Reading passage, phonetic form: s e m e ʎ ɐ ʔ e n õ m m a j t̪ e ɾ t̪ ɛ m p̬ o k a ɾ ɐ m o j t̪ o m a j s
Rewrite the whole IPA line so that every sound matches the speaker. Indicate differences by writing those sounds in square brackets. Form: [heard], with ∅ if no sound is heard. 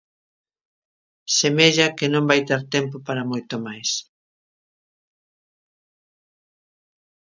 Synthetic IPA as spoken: s e m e ʎ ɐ [k] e n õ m [b] a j t̪ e ɾ t̪ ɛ m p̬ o [p] a ɾ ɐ m o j t̪ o m a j s